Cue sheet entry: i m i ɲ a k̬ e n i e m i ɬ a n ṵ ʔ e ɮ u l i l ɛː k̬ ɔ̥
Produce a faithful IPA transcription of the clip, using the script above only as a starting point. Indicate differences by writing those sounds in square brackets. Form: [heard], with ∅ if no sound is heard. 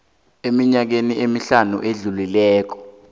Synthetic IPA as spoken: [e] m i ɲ a k̬ e n i e m i ɬ a n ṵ ʔ e ɮ u l i l ɛː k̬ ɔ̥